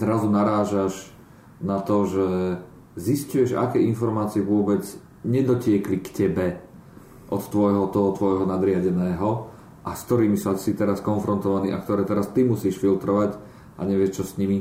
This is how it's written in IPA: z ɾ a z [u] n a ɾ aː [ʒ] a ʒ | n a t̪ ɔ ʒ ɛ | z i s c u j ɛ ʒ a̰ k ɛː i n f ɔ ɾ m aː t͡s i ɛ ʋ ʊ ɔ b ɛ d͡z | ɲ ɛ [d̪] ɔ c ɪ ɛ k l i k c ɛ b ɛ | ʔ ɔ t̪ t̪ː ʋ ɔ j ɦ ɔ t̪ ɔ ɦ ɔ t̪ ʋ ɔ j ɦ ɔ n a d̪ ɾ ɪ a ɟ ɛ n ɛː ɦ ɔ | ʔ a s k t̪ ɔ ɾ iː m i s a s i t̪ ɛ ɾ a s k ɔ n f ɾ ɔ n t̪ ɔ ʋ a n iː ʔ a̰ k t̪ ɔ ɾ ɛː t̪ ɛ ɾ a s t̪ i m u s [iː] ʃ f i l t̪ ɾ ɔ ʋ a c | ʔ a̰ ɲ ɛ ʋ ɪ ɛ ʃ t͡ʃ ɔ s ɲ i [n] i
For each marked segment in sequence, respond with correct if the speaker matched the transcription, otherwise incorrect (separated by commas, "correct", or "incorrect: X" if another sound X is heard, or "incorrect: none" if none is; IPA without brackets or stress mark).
correct, correct, correct, correct, incorrect: m